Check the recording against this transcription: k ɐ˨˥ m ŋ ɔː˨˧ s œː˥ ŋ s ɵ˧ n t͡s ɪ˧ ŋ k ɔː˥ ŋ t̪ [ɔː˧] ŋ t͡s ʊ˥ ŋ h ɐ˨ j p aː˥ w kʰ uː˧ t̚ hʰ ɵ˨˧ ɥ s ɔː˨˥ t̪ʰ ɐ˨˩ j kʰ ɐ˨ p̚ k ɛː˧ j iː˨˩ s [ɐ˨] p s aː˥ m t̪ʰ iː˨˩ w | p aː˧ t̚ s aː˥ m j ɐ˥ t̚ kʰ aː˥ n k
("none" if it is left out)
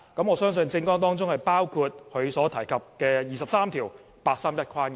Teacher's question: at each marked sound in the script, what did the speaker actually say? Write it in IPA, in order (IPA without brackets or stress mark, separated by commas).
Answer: ɔː˥, ɐ˨